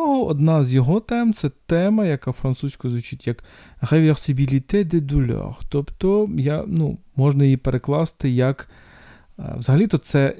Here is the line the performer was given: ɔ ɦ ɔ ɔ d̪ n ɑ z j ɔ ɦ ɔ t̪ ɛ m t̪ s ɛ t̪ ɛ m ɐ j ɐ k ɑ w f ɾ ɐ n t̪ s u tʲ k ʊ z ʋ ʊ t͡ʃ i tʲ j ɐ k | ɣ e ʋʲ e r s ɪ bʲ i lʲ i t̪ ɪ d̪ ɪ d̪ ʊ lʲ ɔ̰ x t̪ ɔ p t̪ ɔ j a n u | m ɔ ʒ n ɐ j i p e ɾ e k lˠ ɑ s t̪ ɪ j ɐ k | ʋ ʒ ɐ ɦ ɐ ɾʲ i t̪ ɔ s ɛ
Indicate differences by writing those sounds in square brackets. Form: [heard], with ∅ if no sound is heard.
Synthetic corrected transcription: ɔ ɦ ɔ ɔ d̪ n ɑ z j ɔ ɦ ɔ t̪ ɛ m t̪ s ɛ t̪ ɛ m ɐ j ɐ k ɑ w f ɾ ɐ n t̪ s u [sʲ] k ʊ z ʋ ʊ t͡ʃ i tʲ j ɐ k | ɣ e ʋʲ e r s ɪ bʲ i lʲ i t̪ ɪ d̪ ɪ d̪ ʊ lʲ ɔ̰ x t̪ ɔ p t̪ ɔ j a n u | m ɔ ʒ n ɐ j i p e ɾ e k lˠ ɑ s t̪ ɪ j ɐ k | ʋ [z] ɐ ɦ ɐ [lʲ] i t̪ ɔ s ɛ